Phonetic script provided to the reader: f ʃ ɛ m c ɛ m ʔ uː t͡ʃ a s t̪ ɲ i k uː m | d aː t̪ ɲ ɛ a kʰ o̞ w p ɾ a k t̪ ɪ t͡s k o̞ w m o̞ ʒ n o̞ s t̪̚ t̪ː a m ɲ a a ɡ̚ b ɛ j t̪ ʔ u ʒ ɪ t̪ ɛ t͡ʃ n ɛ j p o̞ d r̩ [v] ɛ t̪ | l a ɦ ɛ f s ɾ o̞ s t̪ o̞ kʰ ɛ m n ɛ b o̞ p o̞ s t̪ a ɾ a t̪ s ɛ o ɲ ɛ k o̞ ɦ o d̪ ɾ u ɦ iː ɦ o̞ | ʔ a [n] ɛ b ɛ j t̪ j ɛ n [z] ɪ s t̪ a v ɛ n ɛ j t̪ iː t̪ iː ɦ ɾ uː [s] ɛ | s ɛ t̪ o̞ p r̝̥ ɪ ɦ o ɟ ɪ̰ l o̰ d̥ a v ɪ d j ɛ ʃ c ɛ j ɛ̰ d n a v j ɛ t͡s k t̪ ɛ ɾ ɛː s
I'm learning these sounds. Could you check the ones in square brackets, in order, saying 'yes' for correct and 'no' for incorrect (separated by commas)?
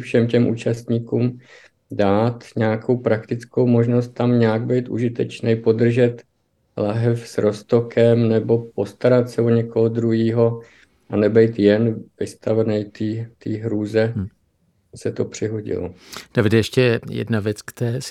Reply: no, yes, no, no